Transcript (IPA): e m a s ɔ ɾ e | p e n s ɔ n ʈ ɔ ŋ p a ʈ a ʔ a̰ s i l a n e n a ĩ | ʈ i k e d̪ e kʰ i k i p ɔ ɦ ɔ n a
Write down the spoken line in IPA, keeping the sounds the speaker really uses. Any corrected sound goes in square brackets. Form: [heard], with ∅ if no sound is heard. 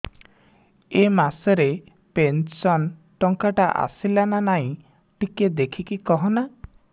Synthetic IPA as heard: e m a s ɔ ɾ e | p e n s ɔ n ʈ ɔ ŋ [k] a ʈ a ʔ a̰ s i l a n [a] n a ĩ | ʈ i k e d̪ e kʰ i k i [k] ɔ ɦ ɔ n a